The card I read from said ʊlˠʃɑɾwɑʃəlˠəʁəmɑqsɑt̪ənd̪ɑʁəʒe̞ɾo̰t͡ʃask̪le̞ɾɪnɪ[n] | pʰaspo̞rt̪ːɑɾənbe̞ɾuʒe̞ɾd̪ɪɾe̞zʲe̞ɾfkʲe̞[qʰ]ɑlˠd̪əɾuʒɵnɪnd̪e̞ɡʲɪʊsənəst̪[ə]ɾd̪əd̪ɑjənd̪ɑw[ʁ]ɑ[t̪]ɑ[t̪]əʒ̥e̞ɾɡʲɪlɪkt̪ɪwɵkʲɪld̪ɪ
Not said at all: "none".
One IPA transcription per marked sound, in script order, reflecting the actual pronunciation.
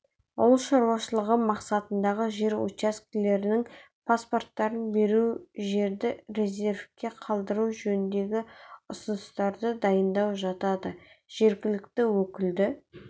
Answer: ŋ, qʰ, ɑ, ʒ, t̪, d̪

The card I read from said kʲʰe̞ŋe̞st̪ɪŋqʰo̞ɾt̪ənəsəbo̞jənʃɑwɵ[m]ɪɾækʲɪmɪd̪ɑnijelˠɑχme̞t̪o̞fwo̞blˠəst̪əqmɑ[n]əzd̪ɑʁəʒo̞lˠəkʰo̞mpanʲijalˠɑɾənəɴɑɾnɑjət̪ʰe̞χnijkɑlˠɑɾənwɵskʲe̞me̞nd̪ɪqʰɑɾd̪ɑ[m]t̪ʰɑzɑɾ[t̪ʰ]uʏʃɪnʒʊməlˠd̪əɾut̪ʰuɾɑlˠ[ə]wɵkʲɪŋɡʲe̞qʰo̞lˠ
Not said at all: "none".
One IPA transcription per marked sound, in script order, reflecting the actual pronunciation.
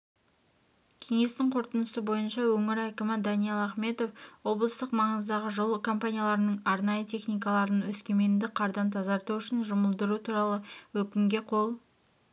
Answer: ŋ, ɴ, n, t̪, ə

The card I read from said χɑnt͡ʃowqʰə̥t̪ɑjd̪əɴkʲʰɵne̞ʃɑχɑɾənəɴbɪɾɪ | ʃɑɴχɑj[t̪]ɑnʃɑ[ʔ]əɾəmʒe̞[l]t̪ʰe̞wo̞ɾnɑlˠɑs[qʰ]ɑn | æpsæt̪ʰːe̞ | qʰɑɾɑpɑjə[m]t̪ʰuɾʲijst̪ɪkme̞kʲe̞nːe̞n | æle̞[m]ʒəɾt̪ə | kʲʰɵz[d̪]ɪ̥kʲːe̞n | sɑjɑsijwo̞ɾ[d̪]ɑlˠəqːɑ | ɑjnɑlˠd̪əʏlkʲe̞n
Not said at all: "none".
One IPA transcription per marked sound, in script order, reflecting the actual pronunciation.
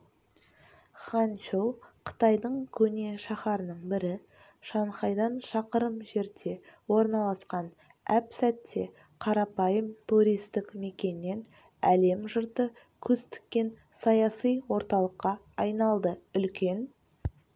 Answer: d̪, q, ɾ, q, m, m, t̪, t̪

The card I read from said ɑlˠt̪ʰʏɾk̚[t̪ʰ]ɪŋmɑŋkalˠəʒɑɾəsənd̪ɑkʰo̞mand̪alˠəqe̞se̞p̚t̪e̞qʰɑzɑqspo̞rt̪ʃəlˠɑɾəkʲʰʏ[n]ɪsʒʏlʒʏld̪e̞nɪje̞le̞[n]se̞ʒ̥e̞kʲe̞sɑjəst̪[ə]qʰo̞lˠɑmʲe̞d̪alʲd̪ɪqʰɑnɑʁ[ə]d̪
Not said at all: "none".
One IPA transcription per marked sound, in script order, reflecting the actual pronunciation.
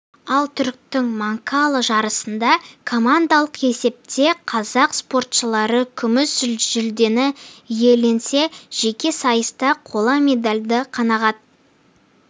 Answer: t̪, m, n, ɑ, ɑ

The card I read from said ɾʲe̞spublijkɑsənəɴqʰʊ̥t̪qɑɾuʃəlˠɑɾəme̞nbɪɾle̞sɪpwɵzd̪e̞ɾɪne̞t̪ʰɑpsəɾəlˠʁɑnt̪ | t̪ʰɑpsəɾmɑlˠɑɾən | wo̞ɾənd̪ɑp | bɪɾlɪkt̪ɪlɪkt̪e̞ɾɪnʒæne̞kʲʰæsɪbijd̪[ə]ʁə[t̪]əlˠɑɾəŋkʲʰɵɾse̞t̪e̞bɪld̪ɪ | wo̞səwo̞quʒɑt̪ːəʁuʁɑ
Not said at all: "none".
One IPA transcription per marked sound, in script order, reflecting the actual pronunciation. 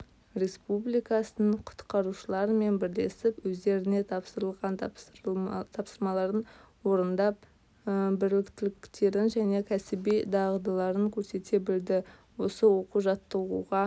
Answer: ɑ, d̪

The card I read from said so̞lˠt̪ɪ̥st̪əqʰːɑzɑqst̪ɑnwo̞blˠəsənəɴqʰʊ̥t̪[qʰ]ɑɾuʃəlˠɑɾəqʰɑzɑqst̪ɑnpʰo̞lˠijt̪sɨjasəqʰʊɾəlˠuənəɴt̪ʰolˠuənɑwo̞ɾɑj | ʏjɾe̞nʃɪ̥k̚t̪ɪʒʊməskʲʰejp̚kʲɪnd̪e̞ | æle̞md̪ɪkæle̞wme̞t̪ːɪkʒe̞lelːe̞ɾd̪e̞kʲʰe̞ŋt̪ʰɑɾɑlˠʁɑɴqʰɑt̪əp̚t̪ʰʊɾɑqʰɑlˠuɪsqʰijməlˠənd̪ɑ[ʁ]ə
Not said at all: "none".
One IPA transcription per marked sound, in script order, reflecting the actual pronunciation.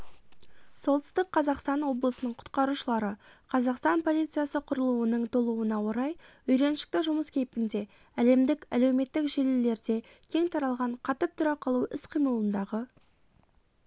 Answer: q, ʁ

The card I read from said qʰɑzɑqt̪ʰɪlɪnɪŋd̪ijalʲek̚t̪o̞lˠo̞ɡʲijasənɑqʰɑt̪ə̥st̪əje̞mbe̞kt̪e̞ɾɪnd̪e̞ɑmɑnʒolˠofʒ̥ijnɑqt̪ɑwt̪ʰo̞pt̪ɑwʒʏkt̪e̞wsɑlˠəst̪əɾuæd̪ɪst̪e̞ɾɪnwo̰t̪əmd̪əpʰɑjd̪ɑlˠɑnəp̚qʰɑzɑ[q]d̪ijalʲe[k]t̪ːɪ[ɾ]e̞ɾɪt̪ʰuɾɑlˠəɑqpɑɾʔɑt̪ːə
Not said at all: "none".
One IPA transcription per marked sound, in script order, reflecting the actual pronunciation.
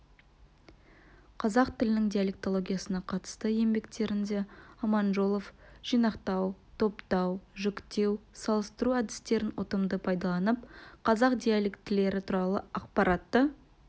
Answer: q, k, l

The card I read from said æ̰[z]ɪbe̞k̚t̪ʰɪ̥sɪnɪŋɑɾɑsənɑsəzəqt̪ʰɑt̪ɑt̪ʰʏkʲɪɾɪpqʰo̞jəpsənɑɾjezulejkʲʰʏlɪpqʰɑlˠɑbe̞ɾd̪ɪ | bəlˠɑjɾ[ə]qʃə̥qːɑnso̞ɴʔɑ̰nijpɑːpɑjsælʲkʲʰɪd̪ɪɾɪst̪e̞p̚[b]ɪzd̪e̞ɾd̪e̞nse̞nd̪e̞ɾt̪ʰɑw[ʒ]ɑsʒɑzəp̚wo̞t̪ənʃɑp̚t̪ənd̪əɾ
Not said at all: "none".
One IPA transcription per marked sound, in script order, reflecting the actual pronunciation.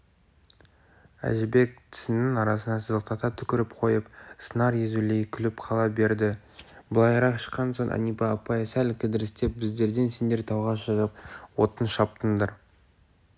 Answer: ʒ, ɑ, b, ʁ

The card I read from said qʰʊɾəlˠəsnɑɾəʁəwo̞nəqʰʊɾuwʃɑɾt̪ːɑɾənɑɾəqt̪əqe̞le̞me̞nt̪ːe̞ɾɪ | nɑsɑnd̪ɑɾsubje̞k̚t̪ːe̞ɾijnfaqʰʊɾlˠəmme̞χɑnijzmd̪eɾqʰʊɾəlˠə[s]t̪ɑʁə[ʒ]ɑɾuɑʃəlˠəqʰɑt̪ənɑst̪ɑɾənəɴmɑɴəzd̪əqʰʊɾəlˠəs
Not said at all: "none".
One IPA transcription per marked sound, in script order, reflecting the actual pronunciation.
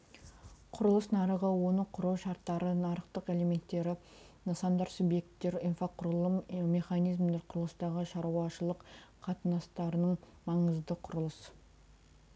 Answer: s, ʃ

